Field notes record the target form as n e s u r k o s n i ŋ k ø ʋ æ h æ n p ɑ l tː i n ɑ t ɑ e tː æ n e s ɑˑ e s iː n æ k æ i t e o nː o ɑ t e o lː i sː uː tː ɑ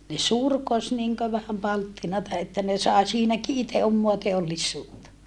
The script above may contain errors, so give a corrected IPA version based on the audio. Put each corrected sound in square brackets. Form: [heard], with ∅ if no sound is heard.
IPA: n e s u r k o s n i ŋ k ø ʋ æ h æ [m] p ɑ l tː i n ɑ t ɑ e tː æ n e s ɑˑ e s iː n æ k [i] i t e o [mː] o ɑ t e o lː i sː uː tː ɑ